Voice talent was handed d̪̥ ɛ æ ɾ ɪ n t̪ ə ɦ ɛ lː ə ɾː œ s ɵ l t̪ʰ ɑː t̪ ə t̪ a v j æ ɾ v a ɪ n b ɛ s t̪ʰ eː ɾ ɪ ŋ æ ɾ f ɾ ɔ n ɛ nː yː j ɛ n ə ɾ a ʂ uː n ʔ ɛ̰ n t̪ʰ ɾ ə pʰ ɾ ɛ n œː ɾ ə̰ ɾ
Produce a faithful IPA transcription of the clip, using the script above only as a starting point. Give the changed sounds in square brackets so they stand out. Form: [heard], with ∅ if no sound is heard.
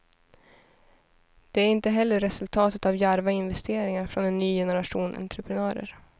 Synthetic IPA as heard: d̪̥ ɛ æ ɾ ɪ n t̪ ə ɦ ɛ lː ə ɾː [ɛ] s ɵ l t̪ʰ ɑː t̪ ə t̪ a v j æ ɾ v a ɪ n [v] ɛ s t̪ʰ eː ɾ ɪ ŋ [a] ɾ f ɾ ɔ n ɛ nː yː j ɛ n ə ɾ a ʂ uː n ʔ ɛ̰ n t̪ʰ ɾ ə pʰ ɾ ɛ n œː ɾ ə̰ ɾ

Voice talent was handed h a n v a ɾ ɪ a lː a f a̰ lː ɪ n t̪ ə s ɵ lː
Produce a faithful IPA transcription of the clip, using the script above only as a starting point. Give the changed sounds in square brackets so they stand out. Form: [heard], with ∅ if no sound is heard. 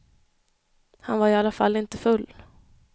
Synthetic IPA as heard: h a n v a ɾ ɪ a lː a f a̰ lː ɪ n t̪ ə [f] ɵ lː

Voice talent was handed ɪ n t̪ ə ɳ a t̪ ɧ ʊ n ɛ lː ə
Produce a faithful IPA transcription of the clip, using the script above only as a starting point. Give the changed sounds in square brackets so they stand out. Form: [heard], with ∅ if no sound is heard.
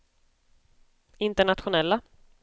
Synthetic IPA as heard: ɪ n t̪ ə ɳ a t̪ ɧ ʊ n ɛ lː [a]

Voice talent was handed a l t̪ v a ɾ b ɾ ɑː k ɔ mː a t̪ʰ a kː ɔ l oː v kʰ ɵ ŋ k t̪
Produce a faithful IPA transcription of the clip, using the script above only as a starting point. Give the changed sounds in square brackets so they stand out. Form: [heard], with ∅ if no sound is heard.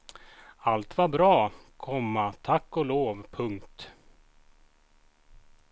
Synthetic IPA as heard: a l t̪ v a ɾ b ɾ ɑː [kʰ] ɔ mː a t̪ʰ a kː ɔ l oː v [pʰ] ɵ ŋ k t̪

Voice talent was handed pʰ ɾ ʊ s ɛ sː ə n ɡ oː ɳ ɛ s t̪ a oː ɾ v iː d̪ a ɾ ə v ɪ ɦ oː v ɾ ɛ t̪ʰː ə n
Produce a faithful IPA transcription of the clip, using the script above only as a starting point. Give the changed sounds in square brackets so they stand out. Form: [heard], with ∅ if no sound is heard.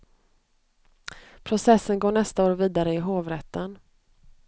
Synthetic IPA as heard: pʰ ɾ ʊ s ɛ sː ə n ɡ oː ɳ ɛ s t̪ a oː ɾ v iː d̪ a ɾ ə [∅] ɪ ɦ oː v ɾ ɛ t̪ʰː ə n

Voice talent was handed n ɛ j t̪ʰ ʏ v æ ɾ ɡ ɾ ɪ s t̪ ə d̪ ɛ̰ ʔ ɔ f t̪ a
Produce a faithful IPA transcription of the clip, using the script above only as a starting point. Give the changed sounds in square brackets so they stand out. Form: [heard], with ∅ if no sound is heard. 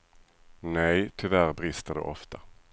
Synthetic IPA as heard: n ɛ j t̪ʰ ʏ v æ ɾ [b] ɾ ɪ s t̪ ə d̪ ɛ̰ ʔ ɔ f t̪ a

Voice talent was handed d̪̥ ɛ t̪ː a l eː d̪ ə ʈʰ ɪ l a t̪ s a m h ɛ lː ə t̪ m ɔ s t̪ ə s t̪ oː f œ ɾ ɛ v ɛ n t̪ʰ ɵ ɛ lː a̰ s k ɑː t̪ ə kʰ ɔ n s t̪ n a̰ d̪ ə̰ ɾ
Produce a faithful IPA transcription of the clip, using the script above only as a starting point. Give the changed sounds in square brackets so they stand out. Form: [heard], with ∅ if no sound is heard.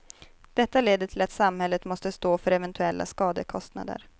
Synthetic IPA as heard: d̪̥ ɛ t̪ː a l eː d̪ ə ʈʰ ɪ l a t̪ s a m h ɛ lː ə t̪ m ɔ s t̪ ə s t̪ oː f œ ɾ ɛ v ɛ n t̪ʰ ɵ ɛ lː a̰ s k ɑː [d̪] ə kʰ ɔ [∅] s t̪ n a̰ d̪ ə̰ ɾ

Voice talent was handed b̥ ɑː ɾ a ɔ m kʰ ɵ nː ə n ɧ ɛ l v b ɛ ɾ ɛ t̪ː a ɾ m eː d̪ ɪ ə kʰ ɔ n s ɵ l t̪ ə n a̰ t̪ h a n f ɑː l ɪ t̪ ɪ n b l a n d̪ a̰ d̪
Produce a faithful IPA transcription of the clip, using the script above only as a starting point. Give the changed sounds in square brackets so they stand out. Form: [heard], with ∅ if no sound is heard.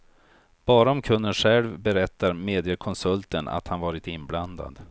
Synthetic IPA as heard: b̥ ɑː ɾ a ɔ m kʰ ɵ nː ə n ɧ ɛ l v b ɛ ɾ ɛ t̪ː a ɾ m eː d̪ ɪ ə kʰ ɔ n s ɵ l t̪ ə n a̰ t̪ h a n [v] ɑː [ɾ] ɪ t̪ ɪ n b l a n d̪ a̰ d̪

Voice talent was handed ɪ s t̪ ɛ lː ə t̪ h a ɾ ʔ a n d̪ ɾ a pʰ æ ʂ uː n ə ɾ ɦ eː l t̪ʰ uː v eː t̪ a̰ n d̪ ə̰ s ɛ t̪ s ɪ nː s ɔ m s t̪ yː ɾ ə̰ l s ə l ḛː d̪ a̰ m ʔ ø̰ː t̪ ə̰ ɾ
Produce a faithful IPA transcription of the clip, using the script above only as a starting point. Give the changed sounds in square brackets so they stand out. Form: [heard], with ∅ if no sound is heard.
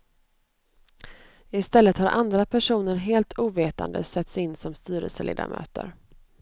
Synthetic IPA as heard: ɪ s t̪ ɛ lː ə t̪ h a ɾ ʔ a n d̪ ɾ a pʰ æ ʂ uː n ə ɾ ɦ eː l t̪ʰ uː v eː t̪ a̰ n d̪ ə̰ s ɛ t̪ s ɪ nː s ɔ m s t̪ yː ɾ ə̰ l s ə l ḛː d̪ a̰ m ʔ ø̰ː t̪ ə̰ ɾ

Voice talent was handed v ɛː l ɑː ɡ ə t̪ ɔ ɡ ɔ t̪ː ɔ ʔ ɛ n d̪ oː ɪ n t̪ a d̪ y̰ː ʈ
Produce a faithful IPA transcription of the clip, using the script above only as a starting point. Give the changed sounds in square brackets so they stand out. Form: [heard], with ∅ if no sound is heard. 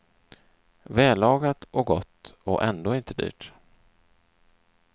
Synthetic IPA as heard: v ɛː l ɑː ɡ [a] t̪ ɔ ɡ ɔ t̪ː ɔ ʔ ɛ n d̪ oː ɪ n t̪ [ə] d̪ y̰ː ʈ

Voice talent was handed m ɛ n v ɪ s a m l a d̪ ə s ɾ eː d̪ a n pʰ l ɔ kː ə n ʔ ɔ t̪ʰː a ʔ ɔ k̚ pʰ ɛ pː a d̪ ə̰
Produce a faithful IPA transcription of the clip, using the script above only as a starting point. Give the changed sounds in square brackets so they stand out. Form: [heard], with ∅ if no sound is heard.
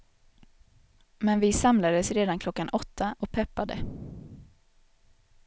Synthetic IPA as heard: m ɛ n v ɪ s a m l a d̪ ə s ɾ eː d̪ a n [kʰ] l ɔ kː [a] n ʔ ɔ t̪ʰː a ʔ ɔ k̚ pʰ ɛ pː a d̪ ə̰

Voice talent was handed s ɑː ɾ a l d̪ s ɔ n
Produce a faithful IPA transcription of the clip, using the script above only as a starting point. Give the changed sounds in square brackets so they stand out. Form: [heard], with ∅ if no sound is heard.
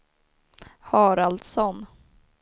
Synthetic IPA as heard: [h] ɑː ɾ a l d̪ s ɔ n

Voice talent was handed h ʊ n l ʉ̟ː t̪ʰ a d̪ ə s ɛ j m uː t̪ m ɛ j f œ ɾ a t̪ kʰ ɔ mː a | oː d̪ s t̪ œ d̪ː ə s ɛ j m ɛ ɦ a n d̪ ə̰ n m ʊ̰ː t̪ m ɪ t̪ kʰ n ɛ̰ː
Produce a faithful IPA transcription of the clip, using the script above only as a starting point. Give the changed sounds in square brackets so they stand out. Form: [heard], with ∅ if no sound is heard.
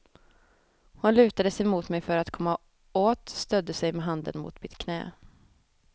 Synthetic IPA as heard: h ʊ n l ʉ̟ː [t̪] a d̪ ə s ɛ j m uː t̪ m ɛ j f œ ɾ a t̪ kʰ ɔ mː a | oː [t̪] s t̪ œ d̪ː ə s ɛ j m ɛ ɦ a n d̪ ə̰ n m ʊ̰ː t̪ m ɪ t̪ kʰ n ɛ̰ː

